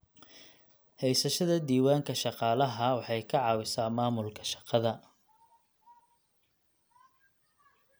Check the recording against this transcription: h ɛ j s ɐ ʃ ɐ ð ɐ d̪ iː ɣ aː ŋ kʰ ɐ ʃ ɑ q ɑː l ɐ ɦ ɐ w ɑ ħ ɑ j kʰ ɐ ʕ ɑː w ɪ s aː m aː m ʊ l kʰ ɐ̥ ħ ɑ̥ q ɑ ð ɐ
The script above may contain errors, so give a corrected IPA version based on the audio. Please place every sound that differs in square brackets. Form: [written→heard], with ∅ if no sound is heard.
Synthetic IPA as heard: h ɛ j s ɐ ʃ ɐ ð ɐ d̪ iː [ɣ→w] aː ŋ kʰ ɐ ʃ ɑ q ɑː l ɐ ɦ ɐ w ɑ ħ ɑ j kʰ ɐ ʕ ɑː w ɪ s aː m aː m ʊ l kʰ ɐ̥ [ħ→ʃ] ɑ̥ q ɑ ð ɐ